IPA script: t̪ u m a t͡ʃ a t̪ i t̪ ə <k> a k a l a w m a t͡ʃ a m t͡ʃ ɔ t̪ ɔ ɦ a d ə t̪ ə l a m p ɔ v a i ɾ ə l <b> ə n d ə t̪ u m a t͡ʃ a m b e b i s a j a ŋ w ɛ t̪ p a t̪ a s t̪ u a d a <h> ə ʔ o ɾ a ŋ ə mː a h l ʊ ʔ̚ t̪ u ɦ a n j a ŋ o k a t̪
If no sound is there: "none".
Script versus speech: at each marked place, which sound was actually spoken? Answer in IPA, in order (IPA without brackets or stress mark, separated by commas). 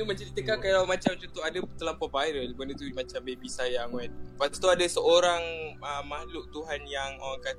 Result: k, b, s